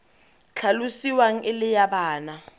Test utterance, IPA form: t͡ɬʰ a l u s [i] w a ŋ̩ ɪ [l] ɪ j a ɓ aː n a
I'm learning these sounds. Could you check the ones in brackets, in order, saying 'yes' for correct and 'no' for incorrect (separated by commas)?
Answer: yes, yes